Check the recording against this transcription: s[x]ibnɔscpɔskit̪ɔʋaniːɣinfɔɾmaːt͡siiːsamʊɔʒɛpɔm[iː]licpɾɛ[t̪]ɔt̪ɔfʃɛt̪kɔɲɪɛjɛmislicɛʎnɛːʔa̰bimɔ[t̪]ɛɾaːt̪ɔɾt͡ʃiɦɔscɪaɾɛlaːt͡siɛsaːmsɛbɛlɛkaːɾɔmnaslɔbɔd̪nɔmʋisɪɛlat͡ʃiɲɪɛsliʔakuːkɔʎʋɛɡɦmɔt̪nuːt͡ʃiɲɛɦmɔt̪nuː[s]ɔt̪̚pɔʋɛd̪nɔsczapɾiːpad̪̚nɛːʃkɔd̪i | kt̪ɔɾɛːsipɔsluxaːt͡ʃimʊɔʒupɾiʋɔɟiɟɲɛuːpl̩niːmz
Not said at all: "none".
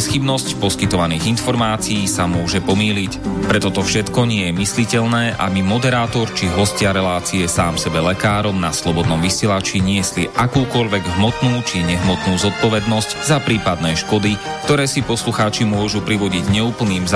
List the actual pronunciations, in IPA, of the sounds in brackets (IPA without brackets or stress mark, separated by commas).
x, iː, t̪, d̪, z